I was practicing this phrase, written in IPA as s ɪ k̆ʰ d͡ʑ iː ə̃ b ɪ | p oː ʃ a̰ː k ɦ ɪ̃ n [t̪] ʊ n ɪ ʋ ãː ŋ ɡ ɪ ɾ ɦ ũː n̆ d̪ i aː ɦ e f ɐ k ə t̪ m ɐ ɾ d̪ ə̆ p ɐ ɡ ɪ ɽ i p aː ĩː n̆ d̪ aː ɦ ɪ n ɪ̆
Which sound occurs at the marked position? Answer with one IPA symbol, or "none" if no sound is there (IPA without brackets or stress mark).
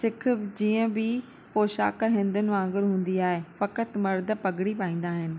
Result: d̪